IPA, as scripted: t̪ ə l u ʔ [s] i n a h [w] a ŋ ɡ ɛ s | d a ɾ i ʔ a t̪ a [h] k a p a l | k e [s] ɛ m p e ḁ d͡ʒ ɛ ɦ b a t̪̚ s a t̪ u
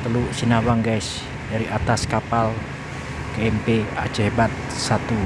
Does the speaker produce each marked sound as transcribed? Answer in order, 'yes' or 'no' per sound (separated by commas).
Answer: yes, yes, no, no